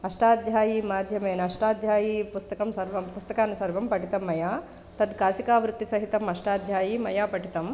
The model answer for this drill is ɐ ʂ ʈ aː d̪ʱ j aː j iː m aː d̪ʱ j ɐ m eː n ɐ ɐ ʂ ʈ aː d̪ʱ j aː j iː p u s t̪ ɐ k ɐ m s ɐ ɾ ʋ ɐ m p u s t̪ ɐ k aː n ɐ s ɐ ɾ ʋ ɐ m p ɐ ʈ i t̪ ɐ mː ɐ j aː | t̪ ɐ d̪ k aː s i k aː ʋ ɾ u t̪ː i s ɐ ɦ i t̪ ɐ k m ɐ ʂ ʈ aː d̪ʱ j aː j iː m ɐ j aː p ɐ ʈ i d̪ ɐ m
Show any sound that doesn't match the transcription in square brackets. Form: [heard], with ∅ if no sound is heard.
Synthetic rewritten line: ɐ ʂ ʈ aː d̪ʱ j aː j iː m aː d̪ʱ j ɐ m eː n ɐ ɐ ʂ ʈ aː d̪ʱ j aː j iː p u s t̪ ɐ k ɐ m s ɐ ɾ ʋ ɐ m p u s t̪ ɐ k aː n ɐ s ɐ ɾ ʋ ɐ m p ɐ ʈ i t̪ ɐ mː ɐ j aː | t̪ ɐ d̪ k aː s i k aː ʋ ɾ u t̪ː i s ɐ ɦ i t̪ ɐ [∅] m ɐ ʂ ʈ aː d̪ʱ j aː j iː m ɐ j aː p ɐ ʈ i [t̪] ɐ m

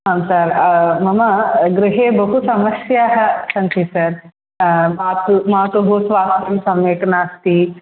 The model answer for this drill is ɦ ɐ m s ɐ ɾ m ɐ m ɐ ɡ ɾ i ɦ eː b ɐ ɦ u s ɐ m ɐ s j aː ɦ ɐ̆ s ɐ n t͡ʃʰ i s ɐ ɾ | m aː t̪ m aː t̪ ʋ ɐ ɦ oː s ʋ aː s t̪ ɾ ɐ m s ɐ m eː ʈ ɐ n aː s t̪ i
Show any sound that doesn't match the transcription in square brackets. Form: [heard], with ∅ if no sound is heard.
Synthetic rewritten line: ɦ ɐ m s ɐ ɾ m ɐ m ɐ ɡ ɾ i ɦ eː b ɐ ɦ u s ɐ m ɐ s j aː ɦ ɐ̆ s ɐ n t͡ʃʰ i s ɐ ɾ | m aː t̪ m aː t̪ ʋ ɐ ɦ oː s ʋ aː s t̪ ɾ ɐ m s ɐ m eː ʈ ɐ n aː s t̪ i

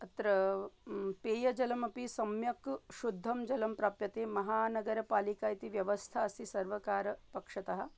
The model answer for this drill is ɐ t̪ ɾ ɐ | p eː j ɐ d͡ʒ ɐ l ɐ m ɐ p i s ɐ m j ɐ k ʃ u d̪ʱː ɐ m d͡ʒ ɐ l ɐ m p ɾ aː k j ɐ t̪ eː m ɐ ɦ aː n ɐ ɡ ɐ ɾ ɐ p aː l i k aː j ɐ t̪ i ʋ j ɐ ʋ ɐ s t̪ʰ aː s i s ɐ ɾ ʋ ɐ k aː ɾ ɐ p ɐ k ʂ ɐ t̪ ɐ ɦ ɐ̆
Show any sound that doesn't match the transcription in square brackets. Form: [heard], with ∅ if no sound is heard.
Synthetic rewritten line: ɐ t̪ ɾ ɐ | p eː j ɐ d͡ʒ ɐ l ɐ m ɐ p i s ɐ m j ɐ k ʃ u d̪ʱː ɐ m d͡ʒ ɐ l ɐ m p ɾ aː [p] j ɐ t̪ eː m ɐ ɦ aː n ɐ ɡ ɐ ɾ ɐ p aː l i k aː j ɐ t̪ i ʋ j ɐ ʋ ɐ s t̪ʰ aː s i s ɐ ɾ ʋ ɐ k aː ɾ ɐ p ɐ k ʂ ɐ t̪ ɐ ɦ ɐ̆

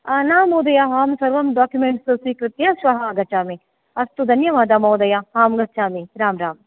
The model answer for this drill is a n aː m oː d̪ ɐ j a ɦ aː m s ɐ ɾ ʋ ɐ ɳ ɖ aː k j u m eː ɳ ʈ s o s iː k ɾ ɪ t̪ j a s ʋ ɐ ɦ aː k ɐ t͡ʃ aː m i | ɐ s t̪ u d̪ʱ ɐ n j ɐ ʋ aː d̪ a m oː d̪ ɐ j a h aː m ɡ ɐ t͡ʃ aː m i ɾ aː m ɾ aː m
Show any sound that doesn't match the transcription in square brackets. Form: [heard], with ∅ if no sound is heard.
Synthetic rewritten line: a n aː m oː d̪ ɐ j a ɦ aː m s ɐ ɾ ʋ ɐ [m] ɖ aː k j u m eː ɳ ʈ s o s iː k ɾ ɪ t̪ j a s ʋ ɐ ɦ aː [ɡ] ɐ t͡ʃ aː m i | ɐ s t̪ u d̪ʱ ɐ n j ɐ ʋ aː d̪ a m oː d̪ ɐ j a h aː m ɡ ɐ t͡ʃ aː m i ɾ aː m ɾ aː m

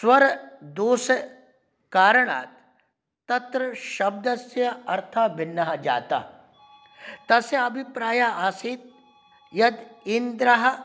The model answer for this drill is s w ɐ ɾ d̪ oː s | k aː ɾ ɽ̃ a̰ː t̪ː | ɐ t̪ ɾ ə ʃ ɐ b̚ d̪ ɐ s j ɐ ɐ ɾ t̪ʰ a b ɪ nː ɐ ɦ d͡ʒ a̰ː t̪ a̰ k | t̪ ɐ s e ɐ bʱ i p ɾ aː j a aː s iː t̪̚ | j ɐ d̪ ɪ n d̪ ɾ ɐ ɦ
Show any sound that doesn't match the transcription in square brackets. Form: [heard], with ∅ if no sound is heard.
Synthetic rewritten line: s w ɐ ɾ d̪ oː s | k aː ɾ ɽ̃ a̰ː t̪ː | ɐ t̪ ɾ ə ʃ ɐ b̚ d̪ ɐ s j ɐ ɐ ɾ t̪ʰ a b ɪ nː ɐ ɦ d͡ʒ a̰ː t̪ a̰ [∅] | t̪ ɐ s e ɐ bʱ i p ɾ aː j a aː s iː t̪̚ | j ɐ d̪ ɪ n d̪ ɾ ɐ ɦ

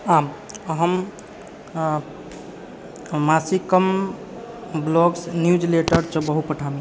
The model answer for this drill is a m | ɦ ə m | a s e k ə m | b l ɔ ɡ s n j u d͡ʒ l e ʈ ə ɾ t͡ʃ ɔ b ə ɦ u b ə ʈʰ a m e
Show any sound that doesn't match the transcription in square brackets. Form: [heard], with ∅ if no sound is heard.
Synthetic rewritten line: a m | ɦ ə m | a s [i] k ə m | b l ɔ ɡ s n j u d͡ʒ l e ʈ ə ɾ t͡ʃ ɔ b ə ɦ u [p] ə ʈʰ a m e

